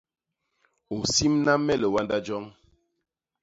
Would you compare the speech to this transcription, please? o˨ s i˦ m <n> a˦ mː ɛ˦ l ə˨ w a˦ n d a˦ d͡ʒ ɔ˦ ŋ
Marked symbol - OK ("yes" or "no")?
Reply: yes